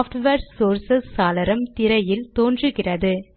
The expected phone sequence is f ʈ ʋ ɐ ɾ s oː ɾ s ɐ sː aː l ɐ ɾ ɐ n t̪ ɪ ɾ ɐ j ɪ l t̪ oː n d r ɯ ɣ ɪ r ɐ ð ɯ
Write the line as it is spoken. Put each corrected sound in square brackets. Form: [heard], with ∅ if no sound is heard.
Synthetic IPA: f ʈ ʋ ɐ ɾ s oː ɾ s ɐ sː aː l ɐ ɾ ɐ [m] t̪ ɪ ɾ ɐ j ɪ l t̪ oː n d r ɯ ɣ ɪ r ɐ ð ɯ